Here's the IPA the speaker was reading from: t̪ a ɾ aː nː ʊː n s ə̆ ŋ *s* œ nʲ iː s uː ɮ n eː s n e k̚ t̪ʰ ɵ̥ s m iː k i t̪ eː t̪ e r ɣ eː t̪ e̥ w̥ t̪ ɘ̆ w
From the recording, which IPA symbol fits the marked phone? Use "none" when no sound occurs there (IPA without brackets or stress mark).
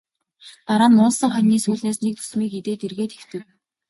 χ